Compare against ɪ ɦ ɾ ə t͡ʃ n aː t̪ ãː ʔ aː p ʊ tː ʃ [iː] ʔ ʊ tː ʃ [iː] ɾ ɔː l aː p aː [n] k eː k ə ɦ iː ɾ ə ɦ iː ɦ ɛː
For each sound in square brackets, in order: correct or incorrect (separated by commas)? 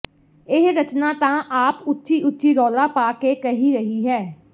correct, correct, incorrect